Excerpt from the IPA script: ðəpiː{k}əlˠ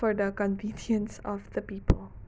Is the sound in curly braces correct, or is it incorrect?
incorrect: p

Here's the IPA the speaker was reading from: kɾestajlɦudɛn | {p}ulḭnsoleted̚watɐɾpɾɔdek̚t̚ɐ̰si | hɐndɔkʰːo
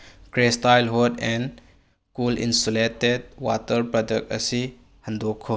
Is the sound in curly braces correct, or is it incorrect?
incorrect: k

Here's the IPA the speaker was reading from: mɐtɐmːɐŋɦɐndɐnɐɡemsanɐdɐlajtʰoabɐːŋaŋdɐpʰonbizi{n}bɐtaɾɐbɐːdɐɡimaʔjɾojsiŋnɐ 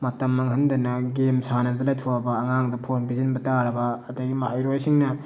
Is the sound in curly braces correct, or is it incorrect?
correct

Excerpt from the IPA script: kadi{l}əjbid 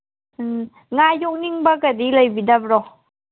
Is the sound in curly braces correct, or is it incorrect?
correct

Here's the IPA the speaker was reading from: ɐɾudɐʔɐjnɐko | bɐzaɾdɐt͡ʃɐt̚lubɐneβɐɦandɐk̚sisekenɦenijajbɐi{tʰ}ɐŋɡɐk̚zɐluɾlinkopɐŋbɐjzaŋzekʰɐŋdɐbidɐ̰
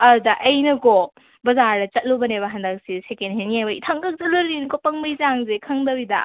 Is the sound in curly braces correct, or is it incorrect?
correct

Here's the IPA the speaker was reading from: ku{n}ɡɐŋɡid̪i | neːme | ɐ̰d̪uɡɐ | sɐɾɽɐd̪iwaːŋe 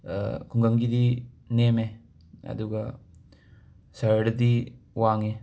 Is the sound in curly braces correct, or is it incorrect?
incorrect: ŋ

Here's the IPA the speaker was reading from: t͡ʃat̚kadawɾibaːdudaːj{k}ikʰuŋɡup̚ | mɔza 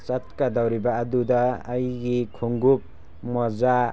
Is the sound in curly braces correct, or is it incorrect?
incorrect: ɡ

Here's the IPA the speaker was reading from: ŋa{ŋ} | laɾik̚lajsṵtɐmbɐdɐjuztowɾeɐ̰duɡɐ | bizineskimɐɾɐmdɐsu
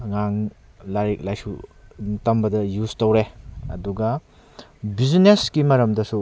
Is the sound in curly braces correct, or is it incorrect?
correct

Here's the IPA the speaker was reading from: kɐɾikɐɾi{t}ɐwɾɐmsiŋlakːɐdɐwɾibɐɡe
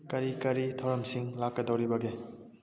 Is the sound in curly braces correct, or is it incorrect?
incorrect: tʰ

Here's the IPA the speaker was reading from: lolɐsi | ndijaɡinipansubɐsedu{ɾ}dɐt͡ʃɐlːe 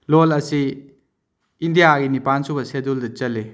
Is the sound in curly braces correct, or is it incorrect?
incorrect: l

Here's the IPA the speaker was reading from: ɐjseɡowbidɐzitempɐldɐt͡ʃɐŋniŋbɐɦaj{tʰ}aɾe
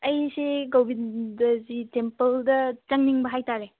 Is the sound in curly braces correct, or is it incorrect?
incorrect: t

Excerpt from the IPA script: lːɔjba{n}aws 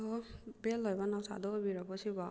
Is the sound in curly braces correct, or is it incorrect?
correct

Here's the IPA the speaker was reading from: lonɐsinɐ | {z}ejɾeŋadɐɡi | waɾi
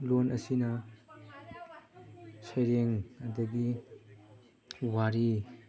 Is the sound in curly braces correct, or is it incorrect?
incorrect: s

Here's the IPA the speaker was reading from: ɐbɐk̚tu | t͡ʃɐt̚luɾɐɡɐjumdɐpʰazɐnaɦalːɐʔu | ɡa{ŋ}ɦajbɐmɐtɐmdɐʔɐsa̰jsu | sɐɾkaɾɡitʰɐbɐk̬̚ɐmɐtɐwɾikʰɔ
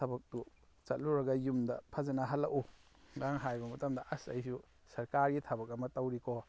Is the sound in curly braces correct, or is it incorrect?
correct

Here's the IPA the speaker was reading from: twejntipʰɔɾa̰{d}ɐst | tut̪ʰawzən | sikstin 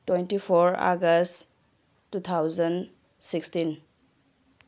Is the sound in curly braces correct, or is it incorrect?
incorrect: ɡ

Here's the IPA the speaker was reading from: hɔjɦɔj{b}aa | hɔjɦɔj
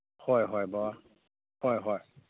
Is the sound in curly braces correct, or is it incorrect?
correct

